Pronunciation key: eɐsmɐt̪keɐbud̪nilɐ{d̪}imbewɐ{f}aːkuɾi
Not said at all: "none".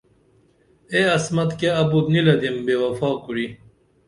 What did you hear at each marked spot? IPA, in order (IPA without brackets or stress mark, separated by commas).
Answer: d̪, f